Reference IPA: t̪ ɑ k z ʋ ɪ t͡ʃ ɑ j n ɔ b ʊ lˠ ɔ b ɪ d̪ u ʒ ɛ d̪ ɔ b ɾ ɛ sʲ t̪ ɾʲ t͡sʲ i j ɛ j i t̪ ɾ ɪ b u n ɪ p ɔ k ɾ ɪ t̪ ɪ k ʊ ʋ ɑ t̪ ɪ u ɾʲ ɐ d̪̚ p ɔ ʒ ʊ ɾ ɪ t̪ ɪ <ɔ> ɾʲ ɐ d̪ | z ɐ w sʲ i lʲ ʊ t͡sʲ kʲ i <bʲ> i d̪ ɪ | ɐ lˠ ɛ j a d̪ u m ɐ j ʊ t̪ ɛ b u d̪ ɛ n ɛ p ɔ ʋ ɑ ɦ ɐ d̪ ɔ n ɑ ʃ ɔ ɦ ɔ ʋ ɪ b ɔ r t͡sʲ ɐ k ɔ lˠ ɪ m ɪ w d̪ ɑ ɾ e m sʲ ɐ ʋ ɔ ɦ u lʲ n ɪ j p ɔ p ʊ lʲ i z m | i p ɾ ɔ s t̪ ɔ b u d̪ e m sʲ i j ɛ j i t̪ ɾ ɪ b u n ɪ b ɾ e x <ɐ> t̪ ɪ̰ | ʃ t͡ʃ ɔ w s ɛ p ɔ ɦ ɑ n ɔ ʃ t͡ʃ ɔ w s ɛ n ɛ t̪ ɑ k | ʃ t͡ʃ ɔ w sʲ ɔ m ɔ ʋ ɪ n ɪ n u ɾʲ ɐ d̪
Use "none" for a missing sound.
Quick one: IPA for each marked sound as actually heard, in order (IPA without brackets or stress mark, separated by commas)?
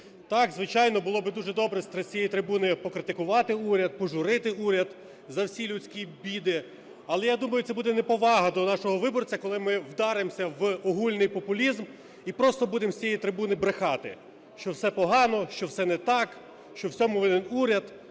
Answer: u, bʲ, ɑ